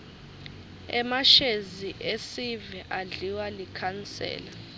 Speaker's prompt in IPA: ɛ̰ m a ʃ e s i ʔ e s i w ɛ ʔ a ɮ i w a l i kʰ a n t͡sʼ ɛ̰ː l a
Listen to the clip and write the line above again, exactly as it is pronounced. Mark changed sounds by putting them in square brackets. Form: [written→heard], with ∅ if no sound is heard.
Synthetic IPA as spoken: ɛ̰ m a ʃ e [s→z] i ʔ e s i [w→v] ɛ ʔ a ɮ i w a l i kʰ a n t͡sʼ ɛ̰ː l a